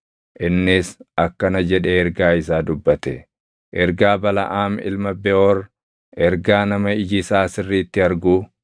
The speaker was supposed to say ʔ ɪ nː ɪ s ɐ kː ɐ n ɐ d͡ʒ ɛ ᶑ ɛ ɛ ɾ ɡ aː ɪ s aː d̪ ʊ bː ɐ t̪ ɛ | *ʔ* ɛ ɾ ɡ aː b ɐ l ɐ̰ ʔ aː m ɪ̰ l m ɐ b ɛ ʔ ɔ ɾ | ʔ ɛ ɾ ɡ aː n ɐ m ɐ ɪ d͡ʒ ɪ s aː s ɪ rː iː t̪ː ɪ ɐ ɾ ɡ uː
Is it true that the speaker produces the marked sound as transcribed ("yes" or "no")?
yes